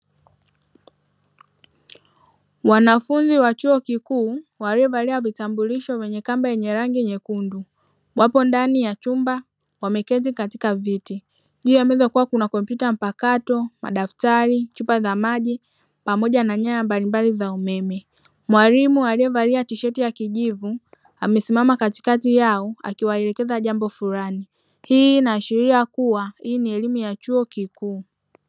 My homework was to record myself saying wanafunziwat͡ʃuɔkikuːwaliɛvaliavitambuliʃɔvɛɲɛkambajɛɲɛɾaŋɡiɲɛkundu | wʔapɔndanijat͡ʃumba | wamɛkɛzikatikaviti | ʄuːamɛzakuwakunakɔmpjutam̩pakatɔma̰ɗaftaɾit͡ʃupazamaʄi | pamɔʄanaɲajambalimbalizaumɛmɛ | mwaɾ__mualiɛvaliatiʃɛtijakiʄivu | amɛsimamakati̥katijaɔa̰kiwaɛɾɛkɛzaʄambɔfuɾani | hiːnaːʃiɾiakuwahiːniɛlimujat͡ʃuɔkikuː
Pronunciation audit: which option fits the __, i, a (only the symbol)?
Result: i